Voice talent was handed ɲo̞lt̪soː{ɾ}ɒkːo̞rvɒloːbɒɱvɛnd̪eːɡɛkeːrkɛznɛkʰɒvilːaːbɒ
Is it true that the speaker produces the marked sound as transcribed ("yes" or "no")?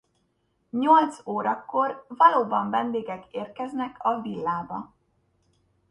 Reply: yes